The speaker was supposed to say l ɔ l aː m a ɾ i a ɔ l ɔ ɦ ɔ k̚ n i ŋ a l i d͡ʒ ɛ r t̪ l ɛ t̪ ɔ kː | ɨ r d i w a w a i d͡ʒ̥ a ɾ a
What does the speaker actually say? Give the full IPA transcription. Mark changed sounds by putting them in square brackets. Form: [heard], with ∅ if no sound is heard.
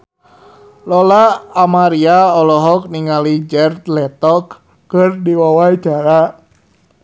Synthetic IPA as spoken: l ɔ l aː m a ɾ i a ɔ l ɔ ɦ ɔ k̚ n i ŋ a l i d͡ʒ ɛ r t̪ l ɛ t̪ ɔ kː | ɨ r d i w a w a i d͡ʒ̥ a ɾ a